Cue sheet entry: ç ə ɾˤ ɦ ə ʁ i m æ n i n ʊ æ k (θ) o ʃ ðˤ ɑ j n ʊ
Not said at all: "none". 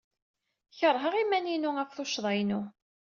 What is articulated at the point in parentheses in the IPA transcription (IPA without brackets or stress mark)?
θ